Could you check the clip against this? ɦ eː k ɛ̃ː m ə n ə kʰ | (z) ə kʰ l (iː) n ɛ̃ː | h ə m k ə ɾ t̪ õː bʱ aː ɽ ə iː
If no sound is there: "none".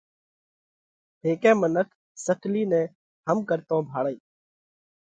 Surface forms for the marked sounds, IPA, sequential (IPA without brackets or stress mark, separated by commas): s, iː